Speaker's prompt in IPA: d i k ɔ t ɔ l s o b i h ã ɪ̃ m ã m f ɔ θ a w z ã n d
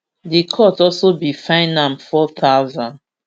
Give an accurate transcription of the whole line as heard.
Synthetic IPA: d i kʰ ɔ t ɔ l s o b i f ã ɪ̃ n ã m f ɔ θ a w z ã n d